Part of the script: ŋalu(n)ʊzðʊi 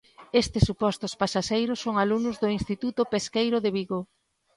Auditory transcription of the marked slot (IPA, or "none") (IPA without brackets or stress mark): n